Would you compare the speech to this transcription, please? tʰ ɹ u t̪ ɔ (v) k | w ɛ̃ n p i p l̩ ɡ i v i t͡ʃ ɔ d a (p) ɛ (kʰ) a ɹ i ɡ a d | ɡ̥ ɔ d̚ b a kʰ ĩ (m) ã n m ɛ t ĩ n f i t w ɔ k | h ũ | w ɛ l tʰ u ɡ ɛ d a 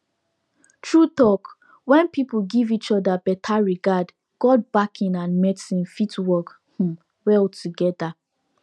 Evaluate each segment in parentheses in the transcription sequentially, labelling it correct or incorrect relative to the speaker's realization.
incorrect, incorrect, incorrect, incorrect

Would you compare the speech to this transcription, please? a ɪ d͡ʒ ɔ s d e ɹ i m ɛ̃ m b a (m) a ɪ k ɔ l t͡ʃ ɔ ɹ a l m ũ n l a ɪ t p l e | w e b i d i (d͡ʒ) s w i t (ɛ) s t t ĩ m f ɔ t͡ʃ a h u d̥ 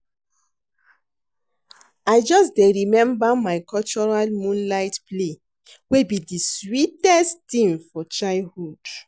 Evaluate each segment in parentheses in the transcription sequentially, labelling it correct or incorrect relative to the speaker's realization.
correct, incorrect, correct

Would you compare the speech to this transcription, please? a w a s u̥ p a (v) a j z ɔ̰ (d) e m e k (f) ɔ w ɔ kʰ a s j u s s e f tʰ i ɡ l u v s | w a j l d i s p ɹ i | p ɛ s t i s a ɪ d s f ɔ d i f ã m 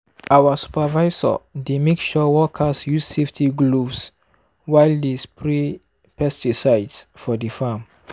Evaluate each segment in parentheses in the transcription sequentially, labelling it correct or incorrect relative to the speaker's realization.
correct, correct, incorrect

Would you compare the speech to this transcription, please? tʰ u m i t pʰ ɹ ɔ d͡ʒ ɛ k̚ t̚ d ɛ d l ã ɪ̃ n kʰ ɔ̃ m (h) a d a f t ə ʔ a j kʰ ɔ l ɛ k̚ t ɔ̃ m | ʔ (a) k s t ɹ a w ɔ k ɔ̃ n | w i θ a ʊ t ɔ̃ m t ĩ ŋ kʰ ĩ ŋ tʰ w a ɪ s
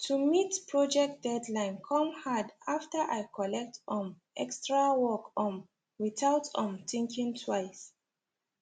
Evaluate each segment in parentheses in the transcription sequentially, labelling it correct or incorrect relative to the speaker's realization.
correct, incorrect

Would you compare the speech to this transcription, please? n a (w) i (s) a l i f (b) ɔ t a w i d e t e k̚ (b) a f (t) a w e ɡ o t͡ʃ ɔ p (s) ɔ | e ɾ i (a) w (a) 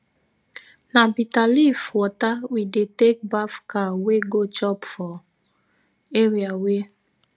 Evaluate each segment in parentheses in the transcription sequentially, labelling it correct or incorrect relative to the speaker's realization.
incorrect, incorrect, incorrect, correct, incorrect, incorrect, correct, incorrect

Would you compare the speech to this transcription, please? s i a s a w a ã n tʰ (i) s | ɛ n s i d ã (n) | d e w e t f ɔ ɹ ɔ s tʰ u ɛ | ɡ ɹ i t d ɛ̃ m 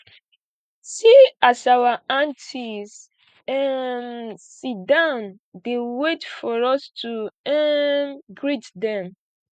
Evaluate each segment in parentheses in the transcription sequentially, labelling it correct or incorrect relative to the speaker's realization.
correct, correct

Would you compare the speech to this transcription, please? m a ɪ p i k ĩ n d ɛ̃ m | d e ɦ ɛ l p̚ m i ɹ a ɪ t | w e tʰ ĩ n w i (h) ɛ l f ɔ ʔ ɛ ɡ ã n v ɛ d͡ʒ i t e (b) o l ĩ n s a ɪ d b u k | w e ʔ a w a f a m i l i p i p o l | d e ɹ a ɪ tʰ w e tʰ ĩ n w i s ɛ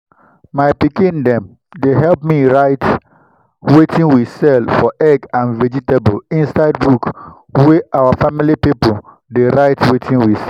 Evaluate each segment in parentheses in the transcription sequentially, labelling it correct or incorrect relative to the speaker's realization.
incorrect, correct

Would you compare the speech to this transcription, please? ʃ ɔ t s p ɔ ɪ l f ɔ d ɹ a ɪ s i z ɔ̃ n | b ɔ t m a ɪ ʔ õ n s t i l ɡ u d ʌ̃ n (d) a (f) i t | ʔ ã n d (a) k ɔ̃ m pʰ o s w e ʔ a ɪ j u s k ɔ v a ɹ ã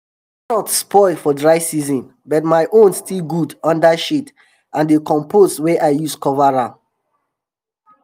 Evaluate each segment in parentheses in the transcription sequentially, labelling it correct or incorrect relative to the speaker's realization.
correct, incorrect, incorrect

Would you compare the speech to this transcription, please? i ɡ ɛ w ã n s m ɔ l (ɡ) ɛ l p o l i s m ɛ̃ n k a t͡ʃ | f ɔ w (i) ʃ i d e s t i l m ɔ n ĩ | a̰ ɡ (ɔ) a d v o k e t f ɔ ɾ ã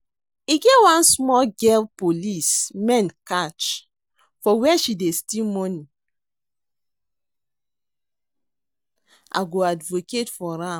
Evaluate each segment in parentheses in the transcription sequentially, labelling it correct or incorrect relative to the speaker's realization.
correct, incorrect, incorrect

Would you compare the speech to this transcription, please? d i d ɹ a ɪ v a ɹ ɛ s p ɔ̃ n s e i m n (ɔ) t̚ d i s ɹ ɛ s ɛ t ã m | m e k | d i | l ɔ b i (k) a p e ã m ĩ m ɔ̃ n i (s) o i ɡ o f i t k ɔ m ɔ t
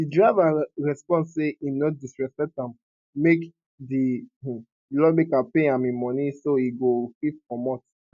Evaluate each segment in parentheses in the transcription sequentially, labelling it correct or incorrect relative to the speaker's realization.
correct, correct, correct

